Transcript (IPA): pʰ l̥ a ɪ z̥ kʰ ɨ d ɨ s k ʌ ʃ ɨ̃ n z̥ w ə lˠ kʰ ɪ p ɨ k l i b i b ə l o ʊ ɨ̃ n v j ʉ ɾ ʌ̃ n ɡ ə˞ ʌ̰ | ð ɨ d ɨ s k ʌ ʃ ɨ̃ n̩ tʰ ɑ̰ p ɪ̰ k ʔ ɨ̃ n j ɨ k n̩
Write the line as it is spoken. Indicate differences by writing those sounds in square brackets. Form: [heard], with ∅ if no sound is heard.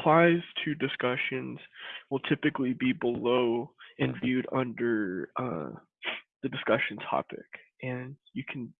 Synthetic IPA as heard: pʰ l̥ a ɪ z̥ [tʰ] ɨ d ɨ s k ʌ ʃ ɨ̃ n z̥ w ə lˠ [tʰ] ɪ p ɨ k l i b i b ə l o ʊ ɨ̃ n v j ʉ ɾ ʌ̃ n [d] ə˞ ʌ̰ | ð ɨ d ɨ s k ʌ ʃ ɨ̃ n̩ tʰ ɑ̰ p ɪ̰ k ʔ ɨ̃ n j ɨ [kʰ] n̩